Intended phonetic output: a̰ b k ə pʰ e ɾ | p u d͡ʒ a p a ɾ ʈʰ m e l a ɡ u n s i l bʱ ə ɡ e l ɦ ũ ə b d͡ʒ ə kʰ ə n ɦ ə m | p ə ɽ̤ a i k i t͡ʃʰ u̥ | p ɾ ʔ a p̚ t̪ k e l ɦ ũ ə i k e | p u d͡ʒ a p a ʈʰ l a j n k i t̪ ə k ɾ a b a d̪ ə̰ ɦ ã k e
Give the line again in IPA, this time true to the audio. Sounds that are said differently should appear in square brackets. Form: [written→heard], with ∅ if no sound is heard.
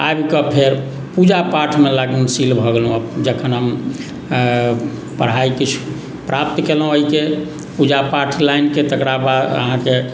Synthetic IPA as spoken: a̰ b k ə pʰ e ɾ | p u d͡ʒ a p a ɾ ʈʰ m e l a ɡ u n s i l bʱ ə ɡ e l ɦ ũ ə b d͡ʒ ə kʰ ə n ɦ ə m | p ə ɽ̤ a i k i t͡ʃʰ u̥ | p ɾ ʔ a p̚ t̪ k e l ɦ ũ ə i k e | p u d͡ʒ a p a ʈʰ l a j n k [i→e] t̪ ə k ɾ a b a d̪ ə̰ ɦ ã k e